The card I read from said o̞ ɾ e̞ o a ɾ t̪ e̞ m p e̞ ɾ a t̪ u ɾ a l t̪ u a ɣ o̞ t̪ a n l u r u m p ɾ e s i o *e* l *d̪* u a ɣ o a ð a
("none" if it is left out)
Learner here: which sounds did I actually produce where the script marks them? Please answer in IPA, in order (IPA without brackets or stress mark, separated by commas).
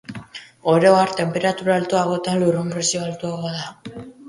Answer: a, t̪